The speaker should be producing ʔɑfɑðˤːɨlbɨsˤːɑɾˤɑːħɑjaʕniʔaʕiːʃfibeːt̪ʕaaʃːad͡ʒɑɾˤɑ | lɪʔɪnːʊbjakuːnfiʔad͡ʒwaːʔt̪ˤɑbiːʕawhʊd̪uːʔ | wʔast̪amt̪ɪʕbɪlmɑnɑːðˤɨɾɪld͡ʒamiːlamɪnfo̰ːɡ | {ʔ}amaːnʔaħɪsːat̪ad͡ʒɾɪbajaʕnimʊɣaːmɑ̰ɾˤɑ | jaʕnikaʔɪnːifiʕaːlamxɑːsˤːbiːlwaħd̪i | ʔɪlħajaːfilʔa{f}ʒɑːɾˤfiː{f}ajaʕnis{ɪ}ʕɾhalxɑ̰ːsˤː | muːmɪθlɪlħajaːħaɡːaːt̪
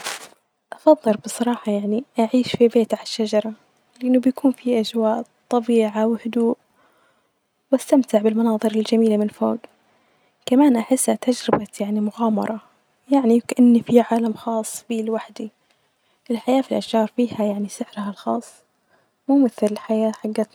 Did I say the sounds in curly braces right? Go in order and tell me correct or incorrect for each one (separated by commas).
incorrect, incorrect, incorrect, correct